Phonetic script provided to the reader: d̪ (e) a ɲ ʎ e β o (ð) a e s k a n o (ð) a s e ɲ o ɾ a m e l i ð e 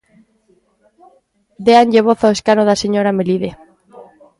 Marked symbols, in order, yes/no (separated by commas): yes, no, yes